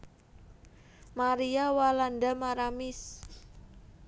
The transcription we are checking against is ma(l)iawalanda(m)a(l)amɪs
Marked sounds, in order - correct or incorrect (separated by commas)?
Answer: incorrect, correct, incorrect